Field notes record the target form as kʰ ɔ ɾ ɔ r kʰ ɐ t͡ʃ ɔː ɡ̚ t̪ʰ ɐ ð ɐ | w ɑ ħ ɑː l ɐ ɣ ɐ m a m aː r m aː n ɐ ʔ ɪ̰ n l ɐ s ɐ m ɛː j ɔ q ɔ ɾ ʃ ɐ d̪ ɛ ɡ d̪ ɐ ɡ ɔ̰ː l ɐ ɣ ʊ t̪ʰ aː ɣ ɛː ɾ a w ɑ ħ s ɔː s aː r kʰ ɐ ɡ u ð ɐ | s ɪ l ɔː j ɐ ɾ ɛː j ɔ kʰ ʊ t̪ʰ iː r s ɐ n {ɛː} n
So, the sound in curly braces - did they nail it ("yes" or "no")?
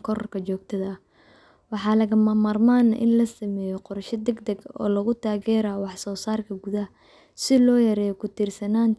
no